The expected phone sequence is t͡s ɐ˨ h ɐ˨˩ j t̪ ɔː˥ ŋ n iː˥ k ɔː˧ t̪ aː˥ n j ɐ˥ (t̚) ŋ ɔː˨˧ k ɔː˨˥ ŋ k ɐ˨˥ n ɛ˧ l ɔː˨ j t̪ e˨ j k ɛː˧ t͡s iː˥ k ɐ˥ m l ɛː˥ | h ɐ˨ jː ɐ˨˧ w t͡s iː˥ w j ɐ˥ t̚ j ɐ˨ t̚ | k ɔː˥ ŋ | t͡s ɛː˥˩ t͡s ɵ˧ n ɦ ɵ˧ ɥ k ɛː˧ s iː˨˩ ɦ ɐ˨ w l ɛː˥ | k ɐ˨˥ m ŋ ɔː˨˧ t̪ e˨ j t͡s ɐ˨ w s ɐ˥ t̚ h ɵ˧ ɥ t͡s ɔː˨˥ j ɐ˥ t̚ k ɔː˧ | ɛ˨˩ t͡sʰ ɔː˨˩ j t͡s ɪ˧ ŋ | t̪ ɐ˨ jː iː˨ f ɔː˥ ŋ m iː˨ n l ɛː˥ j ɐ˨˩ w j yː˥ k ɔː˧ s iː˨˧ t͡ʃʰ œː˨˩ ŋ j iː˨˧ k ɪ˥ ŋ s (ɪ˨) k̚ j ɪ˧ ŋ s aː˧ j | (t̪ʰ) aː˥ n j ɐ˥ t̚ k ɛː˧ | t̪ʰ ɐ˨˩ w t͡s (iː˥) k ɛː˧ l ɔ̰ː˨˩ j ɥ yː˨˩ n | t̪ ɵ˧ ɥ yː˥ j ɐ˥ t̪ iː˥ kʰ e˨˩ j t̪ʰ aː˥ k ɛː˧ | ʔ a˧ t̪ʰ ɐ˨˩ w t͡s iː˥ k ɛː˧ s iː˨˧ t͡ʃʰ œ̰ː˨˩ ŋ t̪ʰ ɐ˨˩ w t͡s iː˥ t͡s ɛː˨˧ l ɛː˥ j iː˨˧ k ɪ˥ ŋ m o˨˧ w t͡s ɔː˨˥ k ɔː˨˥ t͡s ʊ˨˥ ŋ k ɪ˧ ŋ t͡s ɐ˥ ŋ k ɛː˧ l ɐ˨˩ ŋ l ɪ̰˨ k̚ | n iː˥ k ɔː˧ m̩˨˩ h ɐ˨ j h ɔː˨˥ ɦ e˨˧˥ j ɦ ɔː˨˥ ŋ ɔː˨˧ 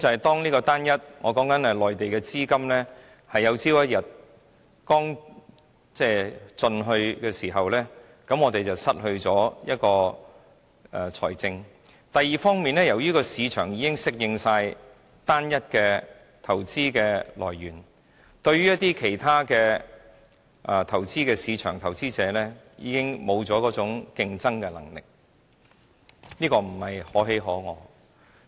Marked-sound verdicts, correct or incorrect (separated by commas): correct, incorrect, incorrect, correct